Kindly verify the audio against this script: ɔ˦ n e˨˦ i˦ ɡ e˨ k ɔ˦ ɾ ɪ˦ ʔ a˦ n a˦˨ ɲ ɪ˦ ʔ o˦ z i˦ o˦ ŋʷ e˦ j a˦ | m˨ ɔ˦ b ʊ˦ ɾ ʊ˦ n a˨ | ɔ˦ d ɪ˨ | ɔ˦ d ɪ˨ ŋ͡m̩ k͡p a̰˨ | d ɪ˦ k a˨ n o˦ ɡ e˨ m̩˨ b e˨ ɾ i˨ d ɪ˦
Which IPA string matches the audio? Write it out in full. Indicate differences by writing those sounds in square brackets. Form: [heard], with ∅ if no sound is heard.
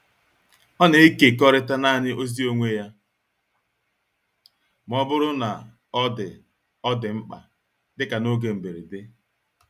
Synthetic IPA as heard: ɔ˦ n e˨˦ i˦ [k] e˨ k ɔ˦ ɾ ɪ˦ [t] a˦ n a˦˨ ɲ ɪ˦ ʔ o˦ z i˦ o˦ ŋʷ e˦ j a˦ | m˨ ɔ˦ b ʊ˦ ɾ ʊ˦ n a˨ | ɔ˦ d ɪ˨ | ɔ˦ d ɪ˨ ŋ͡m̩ k͡p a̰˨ | d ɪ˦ k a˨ n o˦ ɡ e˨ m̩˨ b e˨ ɾ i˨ d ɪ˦